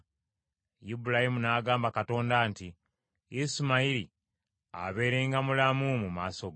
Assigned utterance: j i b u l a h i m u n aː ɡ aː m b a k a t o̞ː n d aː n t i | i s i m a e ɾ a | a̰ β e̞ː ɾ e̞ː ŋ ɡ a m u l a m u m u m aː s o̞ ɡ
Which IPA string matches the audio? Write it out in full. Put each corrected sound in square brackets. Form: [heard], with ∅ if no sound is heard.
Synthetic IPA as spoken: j i b u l a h i m u n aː ɡ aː m b a k a t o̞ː n d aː n t i | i s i m a [i] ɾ [i] | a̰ β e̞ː ɾ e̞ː ŋ ɡ a m u l a m u m u m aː s o̞ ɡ